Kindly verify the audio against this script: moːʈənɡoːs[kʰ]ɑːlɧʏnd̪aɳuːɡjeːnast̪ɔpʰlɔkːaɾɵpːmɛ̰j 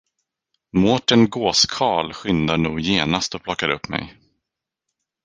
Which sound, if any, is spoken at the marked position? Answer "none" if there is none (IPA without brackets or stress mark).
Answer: kʰ